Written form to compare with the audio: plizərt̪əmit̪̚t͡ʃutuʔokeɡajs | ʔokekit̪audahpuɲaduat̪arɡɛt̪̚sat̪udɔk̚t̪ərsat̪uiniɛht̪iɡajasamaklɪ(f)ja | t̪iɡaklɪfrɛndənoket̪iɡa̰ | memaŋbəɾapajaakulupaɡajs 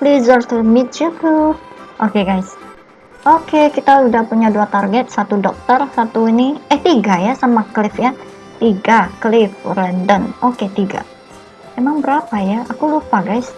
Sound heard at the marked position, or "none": f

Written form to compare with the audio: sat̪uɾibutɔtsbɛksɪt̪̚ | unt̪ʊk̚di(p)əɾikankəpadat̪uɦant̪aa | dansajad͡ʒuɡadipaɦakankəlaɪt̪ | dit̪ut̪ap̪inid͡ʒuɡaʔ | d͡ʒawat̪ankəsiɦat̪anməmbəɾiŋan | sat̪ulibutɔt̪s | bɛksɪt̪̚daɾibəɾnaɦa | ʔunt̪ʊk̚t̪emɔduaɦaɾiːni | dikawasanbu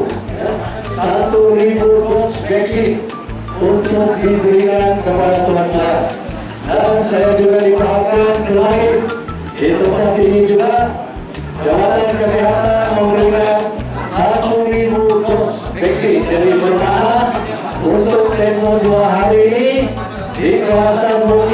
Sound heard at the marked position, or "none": b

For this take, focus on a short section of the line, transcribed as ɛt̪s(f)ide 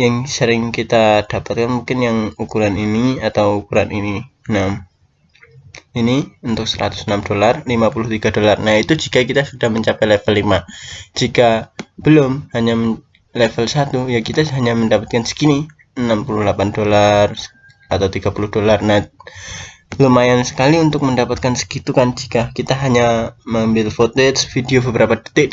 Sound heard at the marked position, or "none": f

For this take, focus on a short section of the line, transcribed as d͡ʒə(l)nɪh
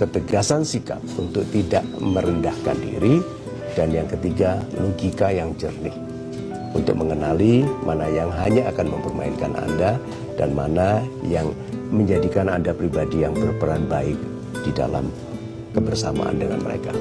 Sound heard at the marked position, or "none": r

